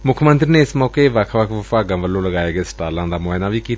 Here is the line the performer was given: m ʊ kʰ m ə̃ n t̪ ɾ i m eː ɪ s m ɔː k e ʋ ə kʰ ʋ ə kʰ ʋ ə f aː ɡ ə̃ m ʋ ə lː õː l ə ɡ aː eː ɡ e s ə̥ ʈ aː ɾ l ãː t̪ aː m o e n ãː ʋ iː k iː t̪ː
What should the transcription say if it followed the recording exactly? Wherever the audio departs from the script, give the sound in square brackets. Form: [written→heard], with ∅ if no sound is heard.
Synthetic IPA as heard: m ʊ kʰ m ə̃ n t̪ ɾ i [m→n] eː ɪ s m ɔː k e ʋ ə kʰ ʋ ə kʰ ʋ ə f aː ɡ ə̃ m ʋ ə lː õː l ə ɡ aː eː ɡ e s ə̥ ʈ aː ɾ l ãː [t̪→d̪] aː m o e n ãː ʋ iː k iː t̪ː

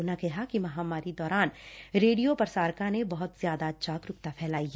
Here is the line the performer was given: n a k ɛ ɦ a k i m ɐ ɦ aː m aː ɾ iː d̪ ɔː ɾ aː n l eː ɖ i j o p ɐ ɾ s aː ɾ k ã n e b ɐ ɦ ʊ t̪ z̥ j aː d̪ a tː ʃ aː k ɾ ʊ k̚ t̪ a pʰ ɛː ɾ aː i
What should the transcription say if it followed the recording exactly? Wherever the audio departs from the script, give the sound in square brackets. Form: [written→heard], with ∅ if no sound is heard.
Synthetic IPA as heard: n a k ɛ ɦ a k i m ɐ ɦ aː m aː ɾ [iː→i] d̪ ɔː ɾ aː n [l→ɾ] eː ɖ i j o p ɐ ɾ s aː ɾ k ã n e b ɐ ɦ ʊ t̪ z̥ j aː d̪ a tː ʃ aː k ɾ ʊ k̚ t̪ a pʰ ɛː [ɾ→l] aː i

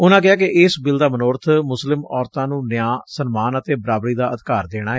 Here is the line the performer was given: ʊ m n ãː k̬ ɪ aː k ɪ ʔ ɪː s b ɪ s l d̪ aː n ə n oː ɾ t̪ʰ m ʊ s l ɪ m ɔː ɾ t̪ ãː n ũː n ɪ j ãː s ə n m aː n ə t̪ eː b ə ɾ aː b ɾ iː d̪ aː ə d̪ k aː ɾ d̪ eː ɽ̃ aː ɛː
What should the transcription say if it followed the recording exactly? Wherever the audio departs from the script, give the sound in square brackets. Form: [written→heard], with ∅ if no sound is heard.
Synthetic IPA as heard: ʊ [m→∅] n ãː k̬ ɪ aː k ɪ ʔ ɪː s b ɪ [s→∅] l d̪ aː [n→m] ə n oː ɾ t̪ʰ m ʊ s l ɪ m ɔː ɾ t̪ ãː n ũː n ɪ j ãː s ə n m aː n ə t̪ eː b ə ɾ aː b ɾ iː d̪ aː ə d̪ k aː ɾ d̪ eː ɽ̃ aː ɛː

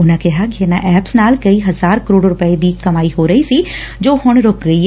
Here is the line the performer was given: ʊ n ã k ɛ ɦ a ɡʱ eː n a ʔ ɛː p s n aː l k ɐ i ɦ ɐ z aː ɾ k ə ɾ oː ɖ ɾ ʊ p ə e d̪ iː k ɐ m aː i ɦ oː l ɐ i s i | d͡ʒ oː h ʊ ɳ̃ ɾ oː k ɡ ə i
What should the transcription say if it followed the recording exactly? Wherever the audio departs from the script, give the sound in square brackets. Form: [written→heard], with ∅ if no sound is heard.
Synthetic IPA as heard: ʊ n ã k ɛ ɦ a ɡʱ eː n a ʔ ɛː p s n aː l k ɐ i ɦ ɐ z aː ɾ k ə ɾ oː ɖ ɾ ʊ p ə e d̪ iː k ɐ m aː i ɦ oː [l→ɾ] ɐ i s i | d͡ʒ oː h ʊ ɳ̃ ɾ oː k ɡ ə i

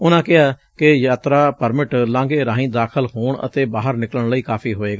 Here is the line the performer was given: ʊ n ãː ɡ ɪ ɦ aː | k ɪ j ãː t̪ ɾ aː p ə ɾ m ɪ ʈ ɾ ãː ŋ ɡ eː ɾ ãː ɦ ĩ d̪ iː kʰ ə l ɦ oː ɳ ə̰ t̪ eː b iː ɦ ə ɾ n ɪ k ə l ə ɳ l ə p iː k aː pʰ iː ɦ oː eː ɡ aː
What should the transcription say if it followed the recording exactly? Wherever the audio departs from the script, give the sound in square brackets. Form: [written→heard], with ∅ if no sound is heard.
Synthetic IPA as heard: ʊ n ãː [ɡ→k] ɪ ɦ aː | k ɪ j [ãː→aː] t̪ ɾ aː p ə ɾ m ɪ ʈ [ɾ→l] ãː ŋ ɡ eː ɾ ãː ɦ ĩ d̪ [iː→aː] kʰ ə l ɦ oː ɳ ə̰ t̪ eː b [iː→aː] ɦ ə ɾ n ɪ k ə l ə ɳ l ə [p→∅] iː k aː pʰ iː ɦ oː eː ɡ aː

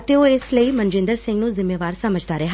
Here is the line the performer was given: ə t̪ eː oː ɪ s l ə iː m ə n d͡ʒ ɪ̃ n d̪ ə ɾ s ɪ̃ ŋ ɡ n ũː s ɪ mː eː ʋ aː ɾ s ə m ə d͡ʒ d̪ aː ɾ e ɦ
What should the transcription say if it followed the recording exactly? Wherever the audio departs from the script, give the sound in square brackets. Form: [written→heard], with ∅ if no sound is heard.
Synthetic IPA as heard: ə t̪ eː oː ɪ s l ə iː m ə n d͡ʒ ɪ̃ n d̪ ə ɾ s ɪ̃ ŋ ɡ n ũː [s→z] ɪ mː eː ʋ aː ɾ s ə m ə d͡ʒ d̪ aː ɾ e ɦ

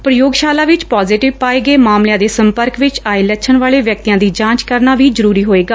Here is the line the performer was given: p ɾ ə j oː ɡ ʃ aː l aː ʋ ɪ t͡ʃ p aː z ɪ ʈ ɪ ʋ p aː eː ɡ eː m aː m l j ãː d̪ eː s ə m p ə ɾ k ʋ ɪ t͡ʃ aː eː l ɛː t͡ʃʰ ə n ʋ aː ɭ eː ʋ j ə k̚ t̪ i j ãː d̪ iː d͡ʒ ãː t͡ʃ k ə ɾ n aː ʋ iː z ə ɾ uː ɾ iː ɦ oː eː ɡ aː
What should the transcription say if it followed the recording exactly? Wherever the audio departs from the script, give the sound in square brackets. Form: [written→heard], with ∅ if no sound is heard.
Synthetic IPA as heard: p ɾ ə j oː ɡ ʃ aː l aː ʋ ɪ t͡ʃ p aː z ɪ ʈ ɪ ʋ p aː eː ɡ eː m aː m l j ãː d̪ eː s ə m p ə ɾ k ʋ ɪ t͡ʃ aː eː l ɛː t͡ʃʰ ə n ʋ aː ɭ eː ʋ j ə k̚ t̪ i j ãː d̪ iː d͡ʒ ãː t͡ʃ k ə ɾ n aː ʋ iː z ə ɾ uː ɾ iː ɦ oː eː ɡ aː

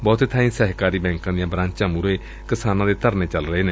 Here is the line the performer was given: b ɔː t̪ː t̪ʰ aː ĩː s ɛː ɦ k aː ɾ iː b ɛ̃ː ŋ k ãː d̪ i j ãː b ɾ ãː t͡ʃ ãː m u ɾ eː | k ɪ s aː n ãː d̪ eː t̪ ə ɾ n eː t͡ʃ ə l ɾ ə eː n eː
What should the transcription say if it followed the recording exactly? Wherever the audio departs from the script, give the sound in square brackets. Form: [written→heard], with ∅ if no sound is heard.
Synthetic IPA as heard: b ɔː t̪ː t̪ʰ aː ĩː s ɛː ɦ k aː ɾ iː b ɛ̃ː ŋ k ãː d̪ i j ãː b ɾ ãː t͡ʃ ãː m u ɾ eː | k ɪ s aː n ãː d̪ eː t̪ ə ɾ n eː t͡ʃ ə l ɾ ə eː n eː

